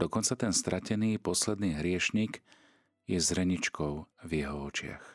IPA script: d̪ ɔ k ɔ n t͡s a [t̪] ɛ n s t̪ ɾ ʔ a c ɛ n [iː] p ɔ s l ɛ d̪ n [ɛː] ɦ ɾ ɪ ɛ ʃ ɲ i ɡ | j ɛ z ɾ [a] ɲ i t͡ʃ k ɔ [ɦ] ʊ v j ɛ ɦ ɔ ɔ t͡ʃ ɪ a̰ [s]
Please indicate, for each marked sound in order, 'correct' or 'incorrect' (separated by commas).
correct, correct, incorrect, incorrect, incorrect, incorrect